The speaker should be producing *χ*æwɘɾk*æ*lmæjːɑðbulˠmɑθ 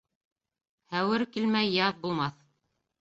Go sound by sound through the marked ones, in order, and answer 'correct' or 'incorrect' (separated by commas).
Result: incorrect, incorrect